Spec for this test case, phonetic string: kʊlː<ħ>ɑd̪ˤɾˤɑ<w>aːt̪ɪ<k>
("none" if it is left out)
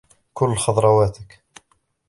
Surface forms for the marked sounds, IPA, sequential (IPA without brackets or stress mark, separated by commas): x, w, k